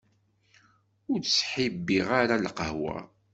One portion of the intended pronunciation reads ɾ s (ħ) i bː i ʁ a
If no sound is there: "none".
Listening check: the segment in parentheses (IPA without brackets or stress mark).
ħ